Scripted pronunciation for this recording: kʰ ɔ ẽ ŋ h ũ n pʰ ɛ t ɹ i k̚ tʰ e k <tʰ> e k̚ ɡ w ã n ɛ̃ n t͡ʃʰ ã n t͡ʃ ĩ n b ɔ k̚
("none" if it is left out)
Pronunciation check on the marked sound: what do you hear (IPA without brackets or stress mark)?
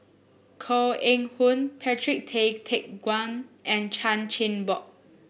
tʰ